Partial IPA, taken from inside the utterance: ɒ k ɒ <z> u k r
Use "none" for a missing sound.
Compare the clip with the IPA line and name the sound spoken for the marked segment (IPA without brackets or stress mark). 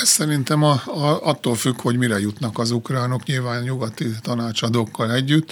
z